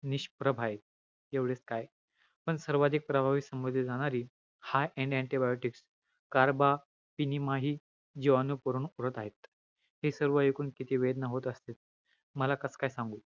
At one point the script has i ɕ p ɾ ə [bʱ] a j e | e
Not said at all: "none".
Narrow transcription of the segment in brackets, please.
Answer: bʱ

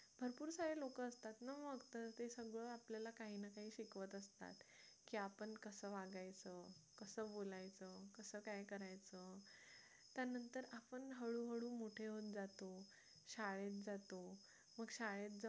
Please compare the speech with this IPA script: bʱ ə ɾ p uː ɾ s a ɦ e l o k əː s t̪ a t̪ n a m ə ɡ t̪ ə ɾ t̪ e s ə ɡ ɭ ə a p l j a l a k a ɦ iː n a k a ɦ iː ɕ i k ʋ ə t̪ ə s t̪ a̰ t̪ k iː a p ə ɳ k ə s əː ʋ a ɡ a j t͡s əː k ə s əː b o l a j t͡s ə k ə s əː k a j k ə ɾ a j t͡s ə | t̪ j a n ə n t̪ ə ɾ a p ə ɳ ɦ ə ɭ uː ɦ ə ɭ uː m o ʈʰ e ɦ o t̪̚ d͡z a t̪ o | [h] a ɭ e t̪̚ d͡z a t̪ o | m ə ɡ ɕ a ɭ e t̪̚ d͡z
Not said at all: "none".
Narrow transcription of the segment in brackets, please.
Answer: ɕ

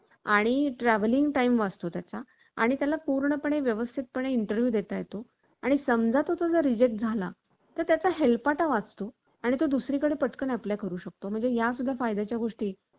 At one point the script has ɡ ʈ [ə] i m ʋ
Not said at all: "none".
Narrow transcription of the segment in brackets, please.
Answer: a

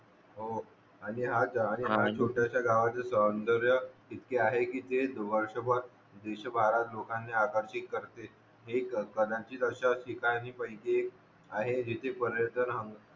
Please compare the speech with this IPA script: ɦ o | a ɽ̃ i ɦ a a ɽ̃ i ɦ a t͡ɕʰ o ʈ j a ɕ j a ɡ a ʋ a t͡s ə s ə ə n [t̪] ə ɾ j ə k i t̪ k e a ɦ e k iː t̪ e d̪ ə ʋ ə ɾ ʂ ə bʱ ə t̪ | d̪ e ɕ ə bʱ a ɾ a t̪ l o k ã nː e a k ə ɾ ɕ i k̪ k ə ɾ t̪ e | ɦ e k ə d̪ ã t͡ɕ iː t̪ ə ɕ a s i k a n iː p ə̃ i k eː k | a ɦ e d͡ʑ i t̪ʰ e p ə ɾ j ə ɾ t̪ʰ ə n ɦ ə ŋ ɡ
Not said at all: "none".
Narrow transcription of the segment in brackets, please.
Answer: d̪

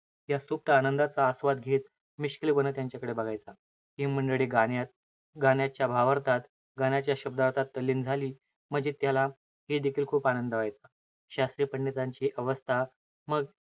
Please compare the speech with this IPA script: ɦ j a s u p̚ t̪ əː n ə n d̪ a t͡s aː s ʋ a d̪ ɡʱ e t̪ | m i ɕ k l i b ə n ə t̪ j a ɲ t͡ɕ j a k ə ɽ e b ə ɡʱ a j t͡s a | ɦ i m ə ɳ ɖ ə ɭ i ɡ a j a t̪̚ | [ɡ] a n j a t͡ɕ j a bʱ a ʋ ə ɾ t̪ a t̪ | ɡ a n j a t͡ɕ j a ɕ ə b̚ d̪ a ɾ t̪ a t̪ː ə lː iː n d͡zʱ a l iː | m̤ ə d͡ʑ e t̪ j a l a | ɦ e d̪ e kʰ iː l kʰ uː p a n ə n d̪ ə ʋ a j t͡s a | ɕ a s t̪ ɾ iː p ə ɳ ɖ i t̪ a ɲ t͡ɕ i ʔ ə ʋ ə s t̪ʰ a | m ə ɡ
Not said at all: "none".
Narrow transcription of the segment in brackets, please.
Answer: ɡ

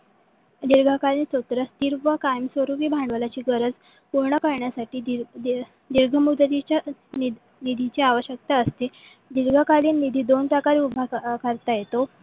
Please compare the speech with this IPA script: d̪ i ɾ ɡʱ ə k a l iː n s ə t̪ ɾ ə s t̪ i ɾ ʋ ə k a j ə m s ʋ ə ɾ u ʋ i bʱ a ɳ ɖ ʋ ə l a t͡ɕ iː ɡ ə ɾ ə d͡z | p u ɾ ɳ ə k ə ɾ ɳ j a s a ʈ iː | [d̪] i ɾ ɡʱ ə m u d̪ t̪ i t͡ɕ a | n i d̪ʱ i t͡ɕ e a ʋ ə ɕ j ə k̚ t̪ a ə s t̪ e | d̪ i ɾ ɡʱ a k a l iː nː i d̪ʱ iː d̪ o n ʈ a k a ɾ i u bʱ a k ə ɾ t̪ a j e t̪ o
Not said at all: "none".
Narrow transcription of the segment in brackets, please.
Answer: d̪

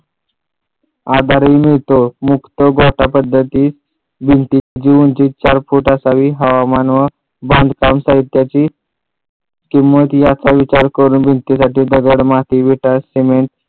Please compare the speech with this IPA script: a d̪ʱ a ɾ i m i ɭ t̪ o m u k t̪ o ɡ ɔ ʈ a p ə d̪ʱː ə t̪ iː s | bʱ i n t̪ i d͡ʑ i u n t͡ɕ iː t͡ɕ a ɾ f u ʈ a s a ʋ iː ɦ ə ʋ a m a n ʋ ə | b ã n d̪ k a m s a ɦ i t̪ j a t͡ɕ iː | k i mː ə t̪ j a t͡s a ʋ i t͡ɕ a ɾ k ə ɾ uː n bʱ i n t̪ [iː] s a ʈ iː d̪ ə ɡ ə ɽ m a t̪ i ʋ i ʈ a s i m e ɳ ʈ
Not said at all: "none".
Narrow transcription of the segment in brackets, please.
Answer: i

